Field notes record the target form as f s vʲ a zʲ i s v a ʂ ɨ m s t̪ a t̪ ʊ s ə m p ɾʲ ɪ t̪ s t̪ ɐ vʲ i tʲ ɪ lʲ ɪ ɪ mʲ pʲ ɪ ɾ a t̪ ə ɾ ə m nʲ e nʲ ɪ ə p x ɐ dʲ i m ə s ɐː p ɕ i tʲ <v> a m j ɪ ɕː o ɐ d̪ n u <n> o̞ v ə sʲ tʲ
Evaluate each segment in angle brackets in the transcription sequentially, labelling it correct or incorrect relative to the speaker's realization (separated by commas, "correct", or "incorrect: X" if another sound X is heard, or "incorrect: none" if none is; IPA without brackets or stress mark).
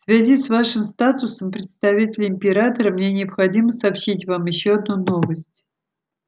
correct, correct